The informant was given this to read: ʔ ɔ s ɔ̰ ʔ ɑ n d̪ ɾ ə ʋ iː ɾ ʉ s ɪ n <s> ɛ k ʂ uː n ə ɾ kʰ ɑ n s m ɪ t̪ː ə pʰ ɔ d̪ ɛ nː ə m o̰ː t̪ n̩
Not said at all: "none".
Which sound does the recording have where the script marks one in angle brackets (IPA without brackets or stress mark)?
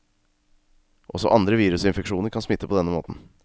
f